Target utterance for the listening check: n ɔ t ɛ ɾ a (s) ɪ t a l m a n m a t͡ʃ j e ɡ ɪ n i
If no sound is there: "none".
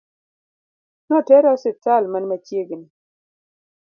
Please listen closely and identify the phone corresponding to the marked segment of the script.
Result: s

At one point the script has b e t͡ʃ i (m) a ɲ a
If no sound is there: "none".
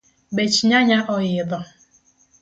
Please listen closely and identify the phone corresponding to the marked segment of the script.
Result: ɲ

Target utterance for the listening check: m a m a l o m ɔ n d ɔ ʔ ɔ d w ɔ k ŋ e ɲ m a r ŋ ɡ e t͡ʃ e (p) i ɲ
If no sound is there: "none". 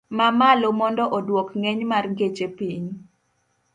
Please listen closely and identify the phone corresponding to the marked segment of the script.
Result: p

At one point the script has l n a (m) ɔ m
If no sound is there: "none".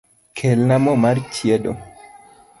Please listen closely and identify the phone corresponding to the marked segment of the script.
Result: m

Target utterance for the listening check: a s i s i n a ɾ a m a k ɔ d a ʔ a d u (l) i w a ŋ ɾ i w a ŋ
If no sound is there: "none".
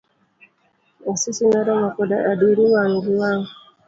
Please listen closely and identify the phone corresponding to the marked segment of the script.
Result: ɾ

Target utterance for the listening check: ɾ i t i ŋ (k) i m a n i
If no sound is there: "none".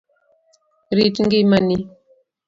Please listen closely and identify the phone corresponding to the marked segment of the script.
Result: ɡ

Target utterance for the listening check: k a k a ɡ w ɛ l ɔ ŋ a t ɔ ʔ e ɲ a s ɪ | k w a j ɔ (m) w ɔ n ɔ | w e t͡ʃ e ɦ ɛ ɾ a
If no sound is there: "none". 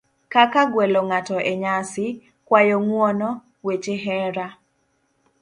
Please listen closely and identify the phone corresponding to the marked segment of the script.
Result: ŋ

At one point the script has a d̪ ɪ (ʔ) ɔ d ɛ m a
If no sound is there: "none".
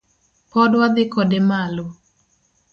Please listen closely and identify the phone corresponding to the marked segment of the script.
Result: k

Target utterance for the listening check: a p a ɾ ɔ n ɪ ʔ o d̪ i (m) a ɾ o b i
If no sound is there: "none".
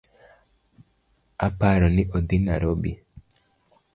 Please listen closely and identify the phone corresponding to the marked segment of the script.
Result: n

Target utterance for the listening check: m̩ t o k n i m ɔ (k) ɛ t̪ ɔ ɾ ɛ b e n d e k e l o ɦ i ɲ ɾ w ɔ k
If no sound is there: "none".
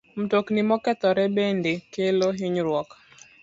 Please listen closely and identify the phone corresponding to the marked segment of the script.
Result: k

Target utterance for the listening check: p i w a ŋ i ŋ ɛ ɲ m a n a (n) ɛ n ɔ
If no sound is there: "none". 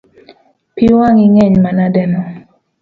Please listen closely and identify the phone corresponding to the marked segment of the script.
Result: d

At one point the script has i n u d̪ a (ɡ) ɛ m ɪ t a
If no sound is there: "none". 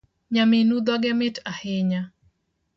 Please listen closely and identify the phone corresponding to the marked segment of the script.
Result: ɡ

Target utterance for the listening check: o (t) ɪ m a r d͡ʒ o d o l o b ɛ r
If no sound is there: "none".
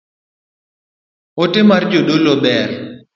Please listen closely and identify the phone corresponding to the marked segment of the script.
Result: t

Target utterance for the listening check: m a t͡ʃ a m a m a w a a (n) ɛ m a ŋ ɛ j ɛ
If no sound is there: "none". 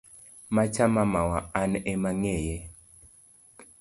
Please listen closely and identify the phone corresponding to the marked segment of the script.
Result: n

